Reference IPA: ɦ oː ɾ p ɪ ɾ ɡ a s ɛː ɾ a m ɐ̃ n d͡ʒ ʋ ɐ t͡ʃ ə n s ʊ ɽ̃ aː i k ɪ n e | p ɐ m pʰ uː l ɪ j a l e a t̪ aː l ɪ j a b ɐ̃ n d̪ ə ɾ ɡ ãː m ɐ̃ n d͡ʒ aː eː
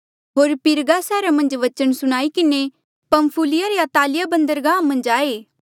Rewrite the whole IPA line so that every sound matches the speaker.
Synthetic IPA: ɦ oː ɾ p ɪ ɾ ɡ a s ɛː ɾ a m ɐ̃ n d͡ʒ ʋ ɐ t͡ʃ ə n s ʊ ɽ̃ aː i k ɪ n e | p ɐ m pʰ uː l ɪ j a ɾ e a t̪ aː l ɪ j a b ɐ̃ n d̪ ə ɾ ɡ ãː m ɐ̃ n d͡ʒ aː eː